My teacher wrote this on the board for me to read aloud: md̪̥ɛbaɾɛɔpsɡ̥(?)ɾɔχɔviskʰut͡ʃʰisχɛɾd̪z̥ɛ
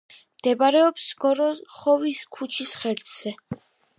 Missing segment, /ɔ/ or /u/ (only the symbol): ɔ